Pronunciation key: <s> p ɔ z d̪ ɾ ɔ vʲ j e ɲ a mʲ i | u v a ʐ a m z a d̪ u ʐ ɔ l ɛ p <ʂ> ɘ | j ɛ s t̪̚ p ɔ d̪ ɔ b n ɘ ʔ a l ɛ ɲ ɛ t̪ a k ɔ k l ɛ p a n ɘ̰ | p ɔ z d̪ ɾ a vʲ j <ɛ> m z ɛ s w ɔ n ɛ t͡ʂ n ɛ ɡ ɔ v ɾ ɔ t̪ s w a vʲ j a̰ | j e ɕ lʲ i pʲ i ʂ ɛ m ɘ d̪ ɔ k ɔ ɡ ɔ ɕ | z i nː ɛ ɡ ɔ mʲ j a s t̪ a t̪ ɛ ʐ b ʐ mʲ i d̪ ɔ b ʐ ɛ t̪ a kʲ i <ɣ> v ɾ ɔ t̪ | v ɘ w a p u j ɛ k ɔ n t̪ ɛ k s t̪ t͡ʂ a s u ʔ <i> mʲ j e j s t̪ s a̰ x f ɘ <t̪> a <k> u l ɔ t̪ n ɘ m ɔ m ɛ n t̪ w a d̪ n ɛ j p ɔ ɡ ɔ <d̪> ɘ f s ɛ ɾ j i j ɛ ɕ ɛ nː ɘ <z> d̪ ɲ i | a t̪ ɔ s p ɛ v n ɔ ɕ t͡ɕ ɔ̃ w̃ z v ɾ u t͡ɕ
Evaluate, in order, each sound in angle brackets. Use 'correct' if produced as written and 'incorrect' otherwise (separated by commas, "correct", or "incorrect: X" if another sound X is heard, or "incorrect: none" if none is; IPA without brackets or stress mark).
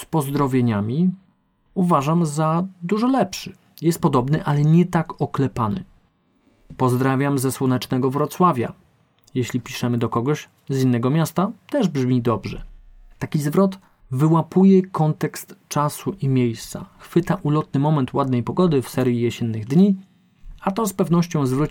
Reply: correct, correct, incorrect: a, incorrect: z, correct, correct, incorrect: ʔ, correct, incorrect: ɣ